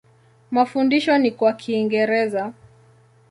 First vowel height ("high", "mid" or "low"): low